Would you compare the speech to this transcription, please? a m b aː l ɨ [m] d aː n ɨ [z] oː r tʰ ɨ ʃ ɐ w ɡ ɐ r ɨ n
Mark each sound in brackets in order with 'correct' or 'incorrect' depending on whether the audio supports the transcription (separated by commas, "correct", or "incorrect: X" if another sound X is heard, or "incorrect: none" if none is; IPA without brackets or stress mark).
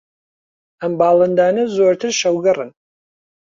incorrect: n, correct